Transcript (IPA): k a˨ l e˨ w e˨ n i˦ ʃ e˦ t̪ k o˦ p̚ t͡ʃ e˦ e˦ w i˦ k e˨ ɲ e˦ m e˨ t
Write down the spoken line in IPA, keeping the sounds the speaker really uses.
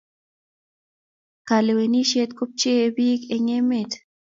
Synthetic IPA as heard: k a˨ l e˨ w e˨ n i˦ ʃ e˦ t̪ k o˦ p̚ t͡ʃ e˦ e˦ b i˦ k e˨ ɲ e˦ m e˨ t